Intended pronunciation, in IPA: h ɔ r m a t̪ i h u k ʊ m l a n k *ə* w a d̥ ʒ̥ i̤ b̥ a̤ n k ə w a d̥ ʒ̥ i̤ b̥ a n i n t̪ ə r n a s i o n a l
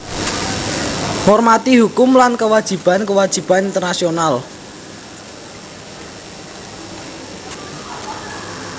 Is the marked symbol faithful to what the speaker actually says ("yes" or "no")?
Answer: yes